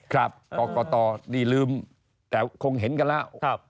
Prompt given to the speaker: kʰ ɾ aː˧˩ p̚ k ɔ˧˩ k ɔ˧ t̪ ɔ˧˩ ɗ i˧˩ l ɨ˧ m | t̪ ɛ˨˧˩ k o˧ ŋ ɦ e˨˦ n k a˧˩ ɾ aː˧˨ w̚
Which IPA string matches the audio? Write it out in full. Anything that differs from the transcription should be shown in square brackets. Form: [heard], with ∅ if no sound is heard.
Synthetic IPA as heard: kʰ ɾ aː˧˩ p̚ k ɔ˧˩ k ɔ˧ t̪ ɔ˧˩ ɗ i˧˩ l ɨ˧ m | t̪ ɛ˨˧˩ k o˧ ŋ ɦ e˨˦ n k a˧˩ [l] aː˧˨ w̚